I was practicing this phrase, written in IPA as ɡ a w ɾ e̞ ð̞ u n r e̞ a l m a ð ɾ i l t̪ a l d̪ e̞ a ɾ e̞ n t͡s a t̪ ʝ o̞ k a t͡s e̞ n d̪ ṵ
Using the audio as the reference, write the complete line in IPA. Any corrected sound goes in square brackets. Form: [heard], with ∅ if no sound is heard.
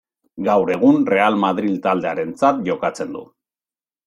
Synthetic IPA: ɡ a w ɾ e̞ [ɣ̞] u n r e̞ a l m a ð ɾ i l t̪ a l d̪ e̞ a ɾ e̞ n t͡s a t̪ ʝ o̞ k a t͡s e̞ n d̪ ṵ